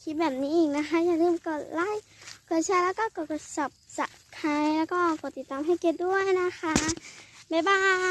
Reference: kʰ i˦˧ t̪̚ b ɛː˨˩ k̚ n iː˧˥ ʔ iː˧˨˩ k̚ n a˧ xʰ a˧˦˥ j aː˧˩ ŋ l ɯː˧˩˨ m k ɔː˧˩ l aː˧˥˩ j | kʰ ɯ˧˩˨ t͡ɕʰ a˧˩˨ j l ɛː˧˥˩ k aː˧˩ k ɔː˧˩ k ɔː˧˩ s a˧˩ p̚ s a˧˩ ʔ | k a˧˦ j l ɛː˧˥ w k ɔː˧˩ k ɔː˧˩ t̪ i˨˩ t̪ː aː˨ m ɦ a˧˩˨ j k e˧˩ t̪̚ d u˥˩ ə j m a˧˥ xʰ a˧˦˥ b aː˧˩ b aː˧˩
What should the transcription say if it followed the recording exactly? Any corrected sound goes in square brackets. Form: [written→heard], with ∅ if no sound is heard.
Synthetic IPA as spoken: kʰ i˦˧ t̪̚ b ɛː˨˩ [k̚→p̚] n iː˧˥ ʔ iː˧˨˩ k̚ n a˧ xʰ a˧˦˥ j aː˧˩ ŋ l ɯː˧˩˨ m k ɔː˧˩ l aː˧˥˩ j | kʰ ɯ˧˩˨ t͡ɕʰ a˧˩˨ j l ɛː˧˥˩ k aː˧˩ k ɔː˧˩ k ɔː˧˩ s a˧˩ p̚ s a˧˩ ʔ | [k→kʰ] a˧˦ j l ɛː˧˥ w k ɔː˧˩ k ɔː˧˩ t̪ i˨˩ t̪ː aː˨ m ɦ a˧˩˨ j k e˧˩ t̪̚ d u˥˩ ə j [m→n] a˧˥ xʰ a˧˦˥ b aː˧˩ b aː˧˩